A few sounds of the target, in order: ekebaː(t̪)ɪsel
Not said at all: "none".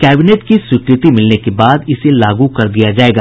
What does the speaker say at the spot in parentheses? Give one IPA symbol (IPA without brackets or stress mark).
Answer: d̪